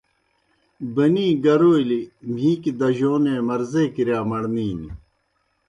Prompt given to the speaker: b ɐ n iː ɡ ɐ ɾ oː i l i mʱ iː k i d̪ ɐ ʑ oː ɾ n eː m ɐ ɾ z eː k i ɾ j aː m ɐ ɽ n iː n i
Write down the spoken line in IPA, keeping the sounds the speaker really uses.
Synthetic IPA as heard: b ɐ n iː ɡ ɐ ɾ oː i l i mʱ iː k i d̪ ɐ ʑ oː n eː m ɐ ɾ z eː k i ɾ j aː m ɐ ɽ n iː n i